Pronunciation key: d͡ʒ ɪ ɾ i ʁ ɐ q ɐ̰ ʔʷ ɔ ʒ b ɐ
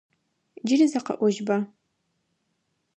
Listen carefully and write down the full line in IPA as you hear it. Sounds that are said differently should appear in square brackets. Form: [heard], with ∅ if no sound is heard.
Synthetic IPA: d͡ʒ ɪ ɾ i [z] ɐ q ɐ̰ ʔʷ ɔ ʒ b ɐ

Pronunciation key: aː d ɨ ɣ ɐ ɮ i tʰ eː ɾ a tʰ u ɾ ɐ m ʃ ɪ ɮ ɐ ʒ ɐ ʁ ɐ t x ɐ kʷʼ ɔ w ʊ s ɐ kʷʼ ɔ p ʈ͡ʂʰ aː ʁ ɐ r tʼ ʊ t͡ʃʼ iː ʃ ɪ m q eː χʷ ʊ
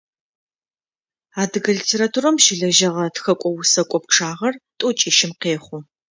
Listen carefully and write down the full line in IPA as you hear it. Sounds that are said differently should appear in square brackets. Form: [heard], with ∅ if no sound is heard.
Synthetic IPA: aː d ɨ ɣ ɐ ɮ i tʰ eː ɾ a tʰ u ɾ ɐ m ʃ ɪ ɮ ɐ ʒ ɐ ʁ ɐ t x ɐ kʷʼ ɔ w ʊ s ɐ kʷʼ ɔ p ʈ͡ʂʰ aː ʁ ɐ r tʼ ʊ t͡ʃʼ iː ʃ ɪ m q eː χʷ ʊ

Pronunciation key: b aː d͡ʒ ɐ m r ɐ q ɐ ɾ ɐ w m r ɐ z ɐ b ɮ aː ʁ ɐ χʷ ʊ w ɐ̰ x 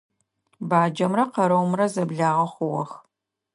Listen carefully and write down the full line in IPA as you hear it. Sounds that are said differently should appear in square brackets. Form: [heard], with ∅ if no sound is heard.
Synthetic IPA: b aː d͡ʒ ɐ m r ɐ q ɐ ɾ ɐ w m r ɐ z ɐ b ɮ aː ʁ ɐ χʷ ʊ w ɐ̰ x

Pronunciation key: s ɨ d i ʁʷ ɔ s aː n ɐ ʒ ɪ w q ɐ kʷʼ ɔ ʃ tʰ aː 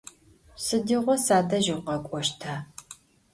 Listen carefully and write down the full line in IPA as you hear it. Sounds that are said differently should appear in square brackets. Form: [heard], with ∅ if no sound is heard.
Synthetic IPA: s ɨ d i ʁʷ ɔ s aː [d] ɐ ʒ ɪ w q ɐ kʷʼ ɔ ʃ tʰ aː

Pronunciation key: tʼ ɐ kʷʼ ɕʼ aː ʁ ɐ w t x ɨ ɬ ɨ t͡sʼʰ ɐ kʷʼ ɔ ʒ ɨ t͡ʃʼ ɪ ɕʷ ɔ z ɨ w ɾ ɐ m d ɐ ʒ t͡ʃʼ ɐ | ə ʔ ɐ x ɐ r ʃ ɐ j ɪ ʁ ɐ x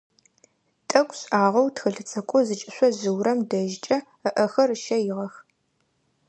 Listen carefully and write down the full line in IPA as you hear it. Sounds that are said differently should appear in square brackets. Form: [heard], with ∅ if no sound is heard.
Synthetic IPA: tʼ ɐ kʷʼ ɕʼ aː ʁ ɐ w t x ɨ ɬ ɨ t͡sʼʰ ɐ kʷʼ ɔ [z] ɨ t͡ʃʼ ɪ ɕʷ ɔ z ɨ w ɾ ɐ m d ɐ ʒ t͡ʃʼ ɐ | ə ʔ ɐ x ɐ r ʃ ɐ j ɪ ʁ ɐ x

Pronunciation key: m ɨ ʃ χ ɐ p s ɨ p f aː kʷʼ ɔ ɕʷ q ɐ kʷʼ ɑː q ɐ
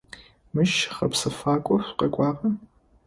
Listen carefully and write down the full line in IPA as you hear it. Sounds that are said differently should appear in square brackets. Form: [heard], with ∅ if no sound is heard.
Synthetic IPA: m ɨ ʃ χ ɐ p s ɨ [∅] f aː kʷʼ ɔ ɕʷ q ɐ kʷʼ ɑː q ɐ

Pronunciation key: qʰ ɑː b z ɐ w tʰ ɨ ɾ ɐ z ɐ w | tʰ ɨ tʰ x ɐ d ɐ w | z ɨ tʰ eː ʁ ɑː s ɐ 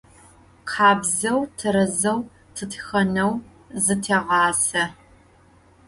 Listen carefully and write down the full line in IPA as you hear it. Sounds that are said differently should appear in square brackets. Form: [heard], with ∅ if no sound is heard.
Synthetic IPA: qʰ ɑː b z ɐ w tʰ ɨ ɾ ɐ z ɐ w | tʰ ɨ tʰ x ɐ [n] ɐ w | z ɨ tʰ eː ʁ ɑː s ɐ

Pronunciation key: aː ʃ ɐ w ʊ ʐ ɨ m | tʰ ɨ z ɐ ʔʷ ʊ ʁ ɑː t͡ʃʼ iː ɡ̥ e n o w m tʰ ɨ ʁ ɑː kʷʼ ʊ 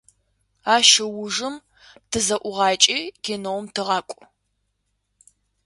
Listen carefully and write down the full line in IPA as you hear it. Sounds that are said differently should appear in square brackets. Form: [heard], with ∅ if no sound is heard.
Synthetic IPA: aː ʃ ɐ w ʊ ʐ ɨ m | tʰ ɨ z ɐ ʔʷ ʊ ʁ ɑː t͡ʃʼ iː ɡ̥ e n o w m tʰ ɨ ʁ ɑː kʷʼ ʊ

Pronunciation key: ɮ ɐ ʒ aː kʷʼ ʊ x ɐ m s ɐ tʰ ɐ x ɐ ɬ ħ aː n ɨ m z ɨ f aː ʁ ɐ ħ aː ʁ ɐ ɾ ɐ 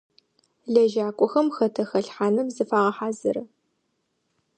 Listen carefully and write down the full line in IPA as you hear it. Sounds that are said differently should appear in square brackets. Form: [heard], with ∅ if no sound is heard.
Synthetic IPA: ɮ ɐ ʒ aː kʷʼ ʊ x ɐ m [x] ɐ tʰ ɐ x ɐ ɬ ħ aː n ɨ m z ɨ f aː ʁ ɐ ħ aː [z] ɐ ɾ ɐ

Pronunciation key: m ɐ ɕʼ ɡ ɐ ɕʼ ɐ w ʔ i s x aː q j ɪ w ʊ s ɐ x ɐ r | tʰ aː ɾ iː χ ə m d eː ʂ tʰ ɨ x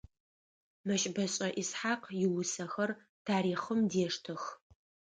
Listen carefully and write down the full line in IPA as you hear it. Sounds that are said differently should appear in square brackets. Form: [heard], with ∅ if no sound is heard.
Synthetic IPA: m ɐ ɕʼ [b] ɐ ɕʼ ɐ [∅] ʔ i s [ħ] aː q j ɪ w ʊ s ɐ x ɐ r | tʰ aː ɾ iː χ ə m d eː ʂ tʰ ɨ x

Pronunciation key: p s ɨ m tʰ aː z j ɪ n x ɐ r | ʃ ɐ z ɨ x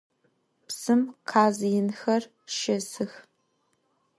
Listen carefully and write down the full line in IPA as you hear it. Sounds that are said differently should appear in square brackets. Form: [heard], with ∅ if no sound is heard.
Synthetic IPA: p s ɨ m [qʰ] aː z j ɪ n x ɐ r | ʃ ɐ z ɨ x

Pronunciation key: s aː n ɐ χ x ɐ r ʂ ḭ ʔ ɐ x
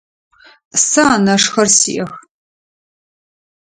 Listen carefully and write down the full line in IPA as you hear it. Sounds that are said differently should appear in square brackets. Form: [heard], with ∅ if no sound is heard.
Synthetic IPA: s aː n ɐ [ʂ] x ɐ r [s] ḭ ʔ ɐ x

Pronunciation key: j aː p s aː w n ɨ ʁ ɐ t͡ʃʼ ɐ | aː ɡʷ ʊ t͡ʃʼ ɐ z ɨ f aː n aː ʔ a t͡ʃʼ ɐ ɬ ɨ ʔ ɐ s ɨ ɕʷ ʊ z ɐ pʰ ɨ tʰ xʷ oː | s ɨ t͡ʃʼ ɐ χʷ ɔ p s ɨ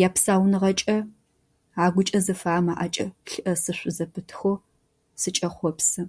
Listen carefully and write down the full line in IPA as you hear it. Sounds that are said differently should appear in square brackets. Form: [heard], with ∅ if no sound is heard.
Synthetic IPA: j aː p s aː w n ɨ ʁ ɐ t͡ʃʼ ɐ | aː ɡʷ ʊ t͡ʃʼ ɐ z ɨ f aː [m] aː ʔ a t͡ʃʼ ɐ ɬ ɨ ʔ ɐ s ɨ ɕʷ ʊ z ɐ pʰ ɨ tʰ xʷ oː | s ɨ t͡ʃʼ ɐ χʷ ɔ p s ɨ

